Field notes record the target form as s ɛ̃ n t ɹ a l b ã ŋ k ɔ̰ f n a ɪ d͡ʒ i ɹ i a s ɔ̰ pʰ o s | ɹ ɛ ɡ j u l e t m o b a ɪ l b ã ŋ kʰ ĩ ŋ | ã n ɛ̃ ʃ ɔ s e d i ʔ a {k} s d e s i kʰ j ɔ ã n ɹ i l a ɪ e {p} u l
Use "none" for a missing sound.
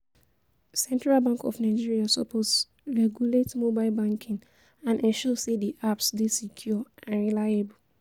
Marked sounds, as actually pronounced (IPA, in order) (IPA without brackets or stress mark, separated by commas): p, b